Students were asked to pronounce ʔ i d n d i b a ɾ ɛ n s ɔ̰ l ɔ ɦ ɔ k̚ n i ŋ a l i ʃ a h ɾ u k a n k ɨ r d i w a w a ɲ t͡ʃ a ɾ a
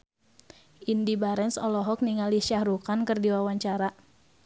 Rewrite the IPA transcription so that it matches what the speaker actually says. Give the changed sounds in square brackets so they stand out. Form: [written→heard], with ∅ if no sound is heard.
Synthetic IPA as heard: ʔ i [d→∅] n d i b a ɾ ɛ n s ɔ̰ l ɔ ɦ ɔ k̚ n i ŋ a l i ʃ a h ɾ u k a n k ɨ r d i w a w a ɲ t͡ʃ a ɾ a